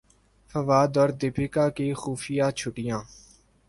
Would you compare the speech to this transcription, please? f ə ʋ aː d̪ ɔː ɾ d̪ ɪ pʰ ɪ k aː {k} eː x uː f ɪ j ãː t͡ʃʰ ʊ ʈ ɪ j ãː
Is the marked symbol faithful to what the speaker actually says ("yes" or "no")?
yes